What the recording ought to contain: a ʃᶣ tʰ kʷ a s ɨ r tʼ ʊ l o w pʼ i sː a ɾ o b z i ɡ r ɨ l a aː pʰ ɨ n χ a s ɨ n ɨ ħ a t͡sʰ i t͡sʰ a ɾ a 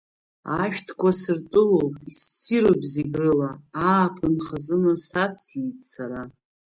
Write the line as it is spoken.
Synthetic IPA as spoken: a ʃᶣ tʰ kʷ a s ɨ r tʼ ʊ l o w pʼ i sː i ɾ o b z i ɡ r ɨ l a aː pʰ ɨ n χ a z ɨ n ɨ s a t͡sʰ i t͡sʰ a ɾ a